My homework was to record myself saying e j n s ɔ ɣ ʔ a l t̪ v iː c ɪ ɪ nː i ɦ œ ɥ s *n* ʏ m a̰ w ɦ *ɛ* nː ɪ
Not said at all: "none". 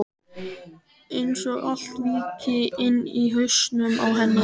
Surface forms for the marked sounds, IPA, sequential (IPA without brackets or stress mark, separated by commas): n, ɛ